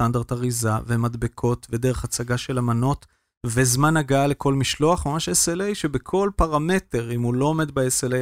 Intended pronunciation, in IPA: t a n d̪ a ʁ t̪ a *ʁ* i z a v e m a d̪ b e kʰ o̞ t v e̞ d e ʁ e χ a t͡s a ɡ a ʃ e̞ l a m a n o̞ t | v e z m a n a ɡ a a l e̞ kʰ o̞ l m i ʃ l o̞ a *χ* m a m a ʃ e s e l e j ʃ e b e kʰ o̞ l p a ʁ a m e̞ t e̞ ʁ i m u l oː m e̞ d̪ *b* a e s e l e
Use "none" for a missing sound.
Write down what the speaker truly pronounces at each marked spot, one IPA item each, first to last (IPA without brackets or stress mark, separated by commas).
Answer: ʁ, χ, b